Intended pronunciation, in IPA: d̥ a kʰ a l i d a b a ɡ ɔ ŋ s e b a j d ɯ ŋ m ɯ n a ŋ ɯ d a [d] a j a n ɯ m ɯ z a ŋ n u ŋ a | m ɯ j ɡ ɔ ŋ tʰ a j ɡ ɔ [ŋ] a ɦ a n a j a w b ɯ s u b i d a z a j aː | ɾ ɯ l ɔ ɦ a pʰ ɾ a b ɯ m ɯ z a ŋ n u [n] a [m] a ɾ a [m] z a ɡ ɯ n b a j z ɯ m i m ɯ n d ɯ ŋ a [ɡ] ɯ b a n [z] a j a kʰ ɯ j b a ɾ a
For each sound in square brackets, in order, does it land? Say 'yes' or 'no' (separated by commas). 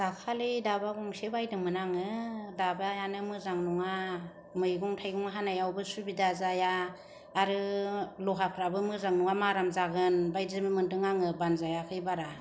no, yes, no, yes, yes, no, yes